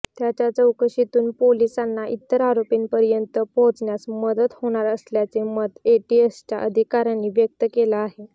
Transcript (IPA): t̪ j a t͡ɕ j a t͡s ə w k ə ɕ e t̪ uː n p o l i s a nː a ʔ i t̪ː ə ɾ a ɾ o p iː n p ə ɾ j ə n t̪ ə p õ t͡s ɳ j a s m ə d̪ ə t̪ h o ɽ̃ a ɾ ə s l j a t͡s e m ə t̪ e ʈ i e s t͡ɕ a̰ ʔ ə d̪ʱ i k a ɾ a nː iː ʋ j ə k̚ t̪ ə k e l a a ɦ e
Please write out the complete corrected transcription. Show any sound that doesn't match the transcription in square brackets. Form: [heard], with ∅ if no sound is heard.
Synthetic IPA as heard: t̪ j a t͡ɕ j a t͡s ə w k ə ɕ [i] t̪ uː n p o l i s a nː a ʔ i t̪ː ə ɾ a ɾ o p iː n p ə ɾ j ə n t̪ ə p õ t͡s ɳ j a s m ə d̪ ə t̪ h o ɽ̃ a ɾ ə s l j a t͡s e m ə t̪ e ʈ i e s t͡ɕ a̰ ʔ ə d̪ʱ i k a ɾ a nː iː ʋ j ə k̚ t̪ ə k e l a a ɦ e